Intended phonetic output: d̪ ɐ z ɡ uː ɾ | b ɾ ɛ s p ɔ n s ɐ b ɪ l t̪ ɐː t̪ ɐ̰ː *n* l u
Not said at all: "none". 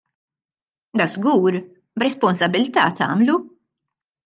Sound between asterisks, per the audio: m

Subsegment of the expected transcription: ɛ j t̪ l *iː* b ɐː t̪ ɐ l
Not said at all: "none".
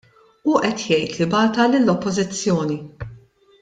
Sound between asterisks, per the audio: i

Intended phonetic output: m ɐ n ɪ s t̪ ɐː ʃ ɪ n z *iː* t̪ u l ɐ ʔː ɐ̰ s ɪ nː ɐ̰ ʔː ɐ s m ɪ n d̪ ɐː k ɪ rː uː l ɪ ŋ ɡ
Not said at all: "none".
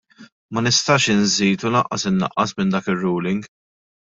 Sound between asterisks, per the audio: iː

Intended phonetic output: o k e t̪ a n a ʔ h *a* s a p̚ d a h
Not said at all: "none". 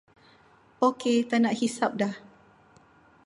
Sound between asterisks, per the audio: i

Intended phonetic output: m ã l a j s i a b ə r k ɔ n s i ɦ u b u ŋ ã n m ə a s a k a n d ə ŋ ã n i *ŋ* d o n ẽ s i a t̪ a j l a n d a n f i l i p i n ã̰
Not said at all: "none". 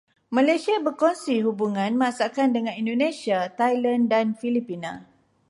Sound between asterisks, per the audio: n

